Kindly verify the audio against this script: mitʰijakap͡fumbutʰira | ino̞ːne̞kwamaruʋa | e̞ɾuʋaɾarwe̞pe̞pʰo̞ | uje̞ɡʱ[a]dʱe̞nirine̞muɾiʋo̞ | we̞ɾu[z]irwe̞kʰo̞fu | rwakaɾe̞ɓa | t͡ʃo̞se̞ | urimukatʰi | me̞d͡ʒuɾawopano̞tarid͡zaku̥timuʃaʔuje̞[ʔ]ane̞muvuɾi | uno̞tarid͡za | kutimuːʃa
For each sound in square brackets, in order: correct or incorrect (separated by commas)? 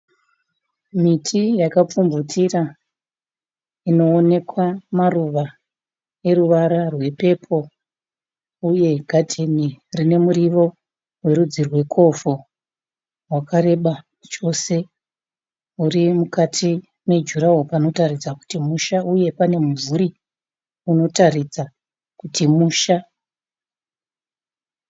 correct, incorrect, incorrect